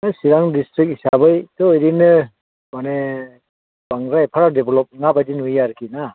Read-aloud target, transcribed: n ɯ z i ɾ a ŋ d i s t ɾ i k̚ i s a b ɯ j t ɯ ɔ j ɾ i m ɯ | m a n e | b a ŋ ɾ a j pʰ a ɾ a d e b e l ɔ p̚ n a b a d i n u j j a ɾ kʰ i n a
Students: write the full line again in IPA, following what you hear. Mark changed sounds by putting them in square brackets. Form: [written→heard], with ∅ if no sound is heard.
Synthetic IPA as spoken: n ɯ [z→s] i ɾ a ŋ d i s t ɾ i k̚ i s a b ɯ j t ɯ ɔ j ɾ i [m→n] ɯ | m a n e | b a ŋ ɾ a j pʰ a ɾ a d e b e l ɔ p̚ [n→ŋ] a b a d i n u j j a ɾ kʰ i n a